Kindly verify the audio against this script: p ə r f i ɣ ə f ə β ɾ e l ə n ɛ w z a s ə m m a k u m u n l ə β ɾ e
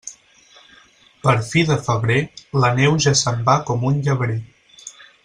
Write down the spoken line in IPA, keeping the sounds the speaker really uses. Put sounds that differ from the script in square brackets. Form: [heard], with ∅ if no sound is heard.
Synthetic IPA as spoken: p ə [ɾ] f i [ð] ə f ə β ɾ e l ə n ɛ w [ʒ] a s ə m [b] a k [ɔ] m u n [ʎ] ə β ɾ e